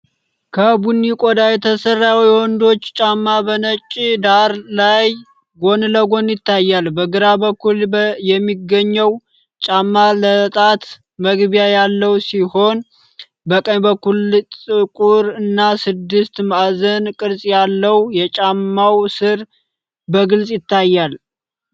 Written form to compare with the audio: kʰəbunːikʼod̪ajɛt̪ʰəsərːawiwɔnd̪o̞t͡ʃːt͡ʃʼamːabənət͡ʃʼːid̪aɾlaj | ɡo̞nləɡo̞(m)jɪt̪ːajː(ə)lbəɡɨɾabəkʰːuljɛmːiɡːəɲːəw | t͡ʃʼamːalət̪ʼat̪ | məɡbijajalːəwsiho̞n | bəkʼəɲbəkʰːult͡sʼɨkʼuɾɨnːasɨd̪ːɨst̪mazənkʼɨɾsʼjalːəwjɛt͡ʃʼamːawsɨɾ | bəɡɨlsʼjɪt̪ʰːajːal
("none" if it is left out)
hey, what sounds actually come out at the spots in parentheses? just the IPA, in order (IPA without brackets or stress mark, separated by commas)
n, a